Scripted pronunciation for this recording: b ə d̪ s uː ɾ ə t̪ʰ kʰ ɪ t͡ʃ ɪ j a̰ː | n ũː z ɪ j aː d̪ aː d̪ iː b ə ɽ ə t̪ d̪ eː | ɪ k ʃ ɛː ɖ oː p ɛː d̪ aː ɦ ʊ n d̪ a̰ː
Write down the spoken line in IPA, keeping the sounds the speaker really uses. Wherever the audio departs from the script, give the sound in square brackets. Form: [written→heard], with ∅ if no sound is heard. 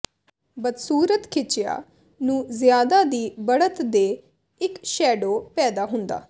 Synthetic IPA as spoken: b ə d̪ s uː ɾ ə [t̪ʰ→t̪] kʰ ɪ t͡ʃ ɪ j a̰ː | n ũː z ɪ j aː d̪ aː d̪ iː b ə ɽ ə t̪ d̪ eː | ɪ k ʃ ɛː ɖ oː p ɛː d̪ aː ɦ ʊ n d̪ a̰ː